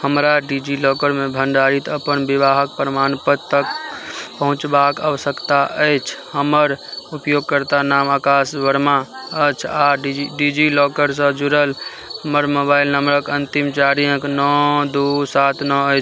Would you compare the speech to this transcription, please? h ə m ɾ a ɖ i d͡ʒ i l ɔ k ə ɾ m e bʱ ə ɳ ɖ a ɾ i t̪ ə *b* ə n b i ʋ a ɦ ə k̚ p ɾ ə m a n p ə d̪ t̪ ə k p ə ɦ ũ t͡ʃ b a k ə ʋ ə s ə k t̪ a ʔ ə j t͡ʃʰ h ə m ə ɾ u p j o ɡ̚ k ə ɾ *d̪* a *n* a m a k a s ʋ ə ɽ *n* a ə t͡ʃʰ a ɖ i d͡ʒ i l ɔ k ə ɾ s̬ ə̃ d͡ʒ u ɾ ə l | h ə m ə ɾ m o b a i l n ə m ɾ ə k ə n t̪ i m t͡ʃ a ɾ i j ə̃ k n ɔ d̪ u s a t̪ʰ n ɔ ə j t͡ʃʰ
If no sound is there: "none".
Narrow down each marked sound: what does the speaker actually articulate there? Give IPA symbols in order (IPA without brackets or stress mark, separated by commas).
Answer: p, t̪, n, m